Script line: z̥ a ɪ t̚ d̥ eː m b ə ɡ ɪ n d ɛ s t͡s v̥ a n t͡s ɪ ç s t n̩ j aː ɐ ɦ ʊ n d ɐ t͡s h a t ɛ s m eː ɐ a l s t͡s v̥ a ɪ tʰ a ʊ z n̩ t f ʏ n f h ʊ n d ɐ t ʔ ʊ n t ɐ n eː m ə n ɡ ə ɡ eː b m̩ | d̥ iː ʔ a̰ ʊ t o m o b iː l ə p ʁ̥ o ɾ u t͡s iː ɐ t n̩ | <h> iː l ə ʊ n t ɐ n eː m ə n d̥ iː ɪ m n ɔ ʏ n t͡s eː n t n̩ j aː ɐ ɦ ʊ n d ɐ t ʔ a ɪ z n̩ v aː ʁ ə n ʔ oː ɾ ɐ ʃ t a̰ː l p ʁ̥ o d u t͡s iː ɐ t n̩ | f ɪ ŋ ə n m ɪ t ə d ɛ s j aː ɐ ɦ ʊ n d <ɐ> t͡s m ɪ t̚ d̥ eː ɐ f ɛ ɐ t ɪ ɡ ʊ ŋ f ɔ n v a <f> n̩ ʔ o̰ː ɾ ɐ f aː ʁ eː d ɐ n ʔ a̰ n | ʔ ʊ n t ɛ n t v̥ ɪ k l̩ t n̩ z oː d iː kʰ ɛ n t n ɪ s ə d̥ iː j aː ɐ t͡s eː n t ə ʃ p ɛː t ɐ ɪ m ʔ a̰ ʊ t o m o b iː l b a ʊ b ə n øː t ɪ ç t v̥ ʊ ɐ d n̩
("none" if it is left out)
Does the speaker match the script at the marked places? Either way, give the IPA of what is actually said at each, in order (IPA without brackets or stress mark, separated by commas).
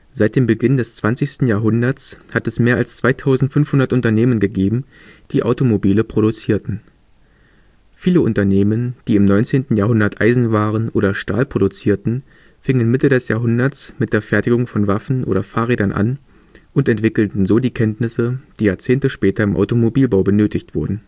f, ɐ, f